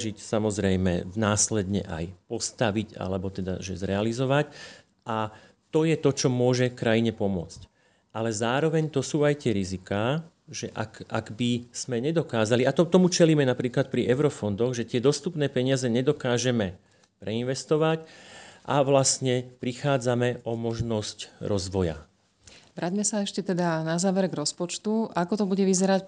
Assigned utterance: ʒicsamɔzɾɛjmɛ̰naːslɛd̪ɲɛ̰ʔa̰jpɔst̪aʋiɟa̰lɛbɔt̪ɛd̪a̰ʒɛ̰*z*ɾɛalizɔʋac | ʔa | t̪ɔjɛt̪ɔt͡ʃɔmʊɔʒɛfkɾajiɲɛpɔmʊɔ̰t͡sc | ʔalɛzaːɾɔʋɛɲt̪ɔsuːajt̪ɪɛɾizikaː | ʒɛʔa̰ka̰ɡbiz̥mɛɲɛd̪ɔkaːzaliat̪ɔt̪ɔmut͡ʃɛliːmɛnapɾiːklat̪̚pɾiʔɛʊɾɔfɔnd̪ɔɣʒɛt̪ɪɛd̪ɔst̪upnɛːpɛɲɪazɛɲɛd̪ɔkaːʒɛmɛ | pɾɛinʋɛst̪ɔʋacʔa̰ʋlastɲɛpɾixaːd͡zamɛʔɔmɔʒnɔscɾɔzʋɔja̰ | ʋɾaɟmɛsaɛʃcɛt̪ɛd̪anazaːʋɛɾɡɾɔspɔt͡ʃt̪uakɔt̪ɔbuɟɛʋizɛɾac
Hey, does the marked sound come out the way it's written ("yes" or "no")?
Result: yes